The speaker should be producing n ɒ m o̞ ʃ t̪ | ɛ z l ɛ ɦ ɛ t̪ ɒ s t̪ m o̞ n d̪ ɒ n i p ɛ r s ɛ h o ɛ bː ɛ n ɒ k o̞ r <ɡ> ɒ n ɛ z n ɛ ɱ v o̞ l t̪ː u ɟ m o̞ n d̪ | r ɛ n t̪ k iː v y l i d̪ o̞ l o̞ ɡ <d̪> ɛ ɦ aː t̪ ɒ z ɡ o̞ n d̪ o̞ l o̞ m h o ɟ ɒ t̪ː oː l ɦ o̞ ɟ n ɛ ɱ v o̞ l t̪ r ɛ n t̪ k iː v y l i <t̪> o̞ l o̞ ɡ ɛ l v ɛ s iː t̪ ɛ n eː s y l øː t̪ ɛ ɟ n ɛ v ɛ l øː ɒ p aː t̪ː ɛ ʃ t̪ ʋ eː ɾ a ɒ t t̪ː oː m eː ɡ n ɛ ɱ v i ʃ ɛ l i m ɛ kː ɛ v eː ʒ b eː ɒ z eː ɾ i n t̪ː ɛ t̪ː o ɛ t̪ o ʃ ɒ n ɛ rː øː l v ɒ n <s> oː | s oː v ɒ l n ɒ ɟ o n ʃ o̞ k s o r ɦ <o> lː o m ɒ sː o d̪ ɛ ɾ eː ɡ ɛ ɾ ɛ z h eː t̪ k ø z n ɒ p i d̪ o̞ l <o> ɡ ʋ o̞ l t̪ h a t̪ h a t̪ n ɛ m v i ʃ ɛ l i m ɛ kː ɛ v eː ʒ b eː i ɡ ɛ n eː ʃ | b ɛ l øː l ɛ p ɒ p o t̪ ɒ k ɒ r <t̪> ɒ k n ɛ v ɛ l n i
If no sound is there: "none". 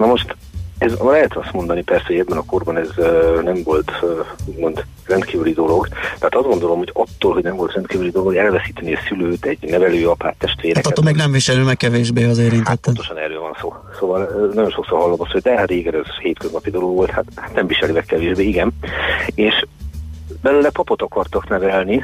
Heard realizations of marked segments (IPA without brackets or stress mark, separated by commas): b, t̪, d̪, s, ɒ, o, t̪